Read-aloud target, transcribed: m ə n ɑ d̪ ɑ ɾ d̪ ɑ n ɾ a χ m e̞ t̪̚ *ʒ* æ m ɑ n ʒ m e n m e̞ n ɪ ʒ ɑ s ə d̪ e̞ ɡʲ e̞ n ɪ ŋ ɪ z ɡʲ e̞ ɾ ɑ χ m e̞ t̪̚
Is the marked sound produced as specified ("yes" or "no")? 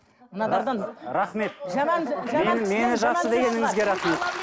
yes